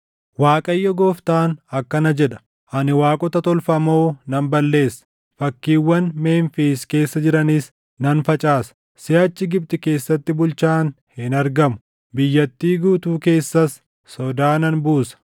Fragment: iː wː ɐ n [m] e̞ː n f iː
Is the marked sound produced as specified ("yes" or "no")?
yes